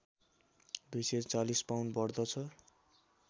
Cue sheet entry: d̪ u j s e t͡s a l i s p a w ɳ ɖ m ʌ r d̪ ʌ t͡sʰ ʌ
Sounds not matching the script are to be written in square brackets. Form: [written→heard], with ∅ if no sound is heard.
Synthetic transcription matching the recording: d̪ u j s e t͡s a l i s p a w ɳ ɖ [m→b] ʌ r d̪ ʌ t͡sʰ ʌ